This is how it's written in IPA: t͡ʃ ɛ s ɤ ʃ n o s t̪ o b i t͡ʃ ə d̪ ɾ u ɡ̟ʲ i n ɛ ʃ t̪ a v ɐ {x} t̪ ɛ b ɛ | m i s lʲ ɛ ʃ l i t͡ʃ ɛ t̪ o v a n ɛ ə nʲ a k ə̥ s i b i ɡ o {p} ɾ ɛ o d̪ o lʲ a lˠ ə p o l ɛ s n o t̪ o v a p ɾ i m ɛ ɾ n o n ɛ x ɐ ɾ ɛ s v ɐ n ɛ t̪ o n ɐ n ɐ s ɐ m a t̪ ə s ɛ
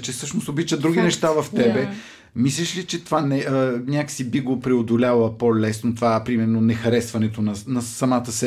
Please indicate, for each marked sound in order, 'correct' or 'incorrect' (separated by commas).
incorrect, correct